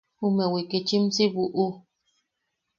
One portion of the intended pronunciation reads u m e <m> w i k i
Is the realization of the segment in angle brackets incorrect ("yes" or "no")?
yes